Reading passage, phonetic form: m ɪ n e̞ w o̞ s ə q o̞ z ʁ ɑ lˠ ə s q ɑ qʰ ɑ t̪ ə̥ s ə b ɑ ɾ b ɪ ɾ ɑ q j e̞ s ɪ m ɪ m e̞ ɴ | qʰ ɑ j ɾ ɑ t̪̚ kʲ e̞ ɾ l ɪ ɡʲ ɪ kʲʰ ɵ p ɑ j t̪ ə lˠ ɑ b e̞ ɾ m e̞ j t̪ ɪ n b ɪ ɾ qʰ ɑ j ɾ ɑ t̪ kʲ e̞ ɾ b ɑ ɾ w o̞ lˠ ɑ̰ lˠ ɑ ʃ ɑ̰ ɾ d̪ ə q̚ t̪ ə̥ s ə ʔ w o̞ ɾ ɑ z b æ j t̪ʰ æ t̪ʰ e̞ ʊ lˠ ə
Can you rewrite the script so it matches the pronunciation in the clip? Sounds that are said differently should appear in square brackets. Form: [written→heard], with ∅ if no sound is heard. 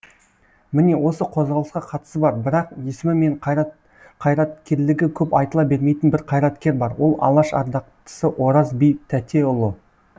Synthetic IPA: m ɪ n e̞ w o̞ s ə [q→qʰ] o̞ z ʁ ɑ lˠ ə s q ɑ qʰ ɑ t̪ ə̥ s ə b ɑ ɾ b ɪ ɾ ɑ q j e̞ s ɪ m ɪ m e̞ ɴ | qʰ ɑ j ɾ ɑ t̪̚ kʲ e̞ ɾ l ɪ ɡʲ ɪ kʲʰ ɵ p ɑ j t̪ ə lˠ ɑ b e̞ ɾ m e̞ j t̪ ɪ n b ɪ ɾ qʰ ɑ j ɾ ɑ t̪ kʲ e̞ ɾ b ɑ ɾ w o̞ lˠ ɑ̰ lˠ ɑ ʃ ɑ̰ ɾ d̪ [ə→ɑ] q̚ t̪ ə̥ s ə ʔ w o̞ ɾ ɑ z b [æ→i] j t̪ʰ æ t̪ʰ e̞ ʊ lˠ ə